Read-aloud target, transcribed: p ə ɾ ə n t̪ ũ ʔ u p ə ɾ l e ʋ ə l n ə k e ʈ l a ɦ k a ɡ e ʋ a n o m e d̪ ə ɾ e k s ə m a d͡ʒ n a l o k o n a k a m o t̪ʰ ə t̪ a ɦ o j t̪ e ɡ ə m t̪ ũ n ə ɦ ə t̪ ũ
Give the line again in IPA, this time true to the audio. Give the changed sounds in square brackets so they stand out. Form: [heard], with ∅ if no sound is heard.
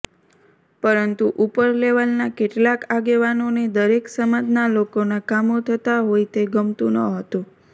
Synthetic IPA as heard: p ə ɾ ə n t̪ [u] ʔ u p ə ɾ l e ʋ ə l n [a] k e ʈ l a [∅] k a ɡ e ʋ a n o [n] e d̪ ə ɾ e k s ə m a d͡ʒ n a l o k o n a k a m o t̪ʰ ə t̪ a ɦ o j t̪ e ɡ ə m t̪ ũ n ə ɦ ə t̪ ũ